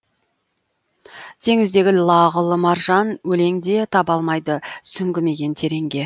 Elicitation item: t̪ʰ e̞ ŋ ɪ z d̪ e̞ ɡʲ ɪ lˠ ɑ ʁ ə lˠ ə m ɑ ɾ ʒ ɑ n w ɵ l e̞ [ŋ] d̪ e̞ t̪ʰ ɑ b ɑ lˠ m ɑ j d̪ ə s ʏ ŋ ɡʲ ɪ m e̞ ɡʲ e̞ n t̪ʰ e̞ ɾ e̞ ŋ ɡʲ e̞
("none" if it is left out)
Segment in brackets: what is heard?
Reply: ŋ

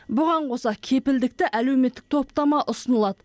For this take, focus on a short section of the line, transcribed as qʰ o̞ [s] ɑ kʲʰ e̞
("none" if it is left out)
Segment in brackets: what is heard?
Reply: s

